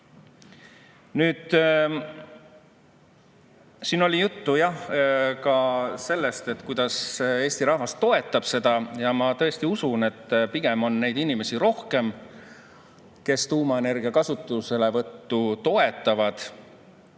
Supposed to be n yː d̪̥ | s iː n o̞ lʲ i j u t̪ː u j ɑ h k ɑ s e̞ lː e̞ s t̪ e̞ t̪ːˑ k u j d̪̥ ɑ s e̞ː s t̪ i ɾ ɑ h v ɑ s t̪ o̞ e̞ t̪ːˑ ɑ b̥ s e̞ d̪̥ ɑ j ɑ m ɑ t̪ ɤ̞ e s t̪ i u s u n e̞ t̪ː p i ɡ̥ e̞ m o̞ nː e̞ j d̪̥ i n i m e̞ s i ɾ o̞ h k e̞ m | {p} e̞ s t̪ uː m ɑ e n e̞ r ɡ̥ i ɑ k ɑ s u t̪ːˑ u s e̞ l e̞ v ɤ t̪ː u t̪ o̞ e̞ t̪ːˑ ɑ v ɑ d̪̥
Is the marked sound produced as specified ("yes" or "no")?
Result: no